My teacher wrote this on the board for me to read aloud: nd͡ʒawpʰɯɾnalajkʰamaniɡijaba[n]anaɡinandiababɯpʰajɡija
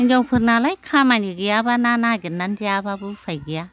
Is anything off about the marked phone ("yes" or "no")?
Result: no